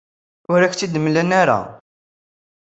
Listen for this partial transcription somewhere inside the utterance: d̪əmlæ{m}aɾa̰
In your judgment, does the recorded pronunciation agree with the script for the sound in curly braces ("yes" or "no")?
no